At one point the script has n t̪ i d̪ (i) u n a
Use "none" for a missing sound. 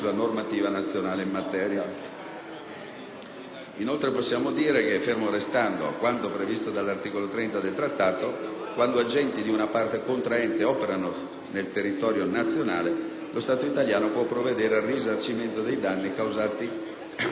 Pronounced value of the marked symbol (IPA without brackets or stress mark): i